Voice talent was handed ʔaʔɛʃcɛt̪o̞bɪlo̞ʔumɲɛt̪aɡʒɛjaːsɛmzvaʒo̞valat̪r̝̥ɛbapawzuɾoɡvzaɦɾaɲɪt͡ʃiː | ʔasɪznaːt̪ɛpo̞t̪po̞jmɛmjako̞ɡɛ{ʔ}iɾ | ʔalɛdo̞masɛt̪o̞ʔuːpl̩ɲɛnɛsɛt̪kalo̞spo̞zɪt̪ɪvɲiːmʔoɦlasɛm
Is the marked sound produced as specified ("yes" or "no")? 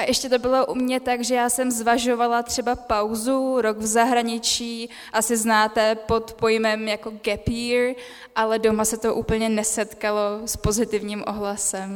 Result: no